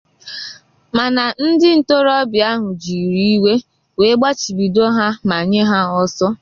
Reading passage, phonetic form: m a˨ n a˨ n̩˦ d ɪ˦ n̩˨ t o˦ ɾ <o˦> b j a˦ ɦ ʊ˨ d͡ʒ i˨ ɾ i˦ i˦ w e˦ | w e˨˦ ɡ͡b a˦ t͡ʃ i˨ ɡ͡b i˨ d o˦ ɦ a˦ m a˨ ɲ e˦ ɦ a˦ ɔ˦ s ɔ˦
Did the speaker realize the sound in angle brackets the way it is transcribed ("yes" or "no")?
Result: no